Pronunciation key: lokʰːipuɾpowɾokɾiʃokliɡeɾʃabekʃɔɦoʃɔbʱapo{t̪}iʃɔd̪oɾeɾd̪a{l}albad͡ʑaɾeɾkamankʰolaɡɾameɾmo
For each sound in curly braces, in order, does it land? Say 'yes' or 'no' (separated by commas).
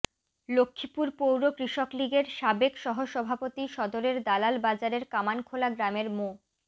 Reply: yes, yes